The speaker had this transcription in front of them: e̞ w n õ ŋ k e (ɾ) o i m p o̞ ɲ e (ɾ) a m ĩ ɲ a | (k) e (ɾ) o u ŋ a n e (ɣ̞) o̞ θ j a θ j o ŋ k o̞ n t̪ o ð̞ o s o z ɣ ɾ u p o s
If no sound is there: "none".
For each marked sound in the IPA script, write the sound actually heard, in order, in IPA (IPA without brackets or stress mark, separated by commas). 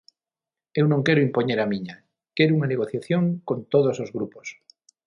ɾ, ɾ, k, ɾ, ɣ̞